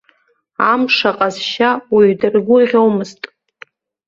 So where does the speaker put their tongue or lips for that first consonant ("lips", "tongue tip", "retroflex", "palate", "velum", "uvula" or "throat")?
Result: lips